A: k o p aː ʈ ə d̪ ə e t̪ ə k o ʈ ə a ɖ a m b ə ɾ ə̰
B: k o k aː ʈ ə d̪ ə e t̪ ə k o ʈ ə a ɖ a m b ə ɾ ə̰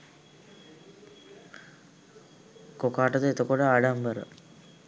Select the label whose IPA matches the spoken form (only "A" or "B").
B